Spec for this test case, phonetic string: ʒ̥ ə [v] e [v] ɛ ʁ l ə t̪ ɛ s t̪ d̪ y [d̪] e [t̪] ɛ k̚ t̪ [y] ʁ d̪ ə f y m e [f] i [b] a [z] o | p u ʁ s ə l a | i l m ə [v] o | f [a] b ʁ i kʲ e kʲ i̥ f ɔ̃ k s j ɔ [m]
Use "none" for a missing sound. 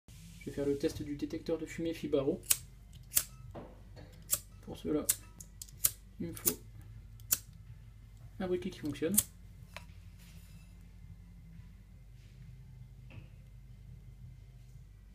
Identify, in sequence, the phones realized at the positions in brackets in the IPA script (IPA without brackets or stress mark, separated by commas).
v, f, d̪, t̪, œ, f, b, ʁ, f, a, n